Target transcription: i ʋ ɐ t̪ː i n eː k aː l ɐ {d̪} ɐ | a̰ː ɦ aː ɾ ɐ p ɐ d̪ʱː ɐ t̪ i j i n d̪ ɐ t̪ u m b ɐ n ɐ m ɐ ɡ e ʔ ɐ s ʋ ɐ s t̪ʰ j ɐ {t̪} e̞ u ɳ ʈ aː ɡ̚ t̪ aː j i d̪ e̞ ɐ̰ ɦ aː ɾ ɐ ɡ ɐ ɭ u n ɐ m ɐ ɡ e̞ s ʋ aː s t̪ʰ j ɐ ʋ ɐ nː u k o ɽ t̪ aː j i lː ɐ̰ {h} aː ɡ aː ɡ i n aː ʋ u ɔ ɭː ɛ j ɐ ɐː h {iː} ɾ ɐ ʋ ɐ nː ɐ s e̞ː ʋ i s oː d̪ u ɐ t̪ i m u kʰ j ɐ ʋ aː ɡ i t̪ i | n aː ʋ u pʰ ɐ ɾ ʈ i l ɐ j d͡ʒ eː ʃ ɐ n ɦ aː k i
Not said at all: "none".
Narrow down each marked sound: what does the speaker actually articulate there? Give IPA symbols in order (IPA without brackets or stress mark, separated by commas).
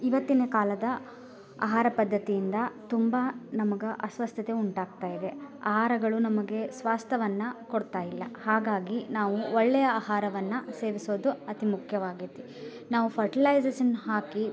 d̪, t̪, h, aː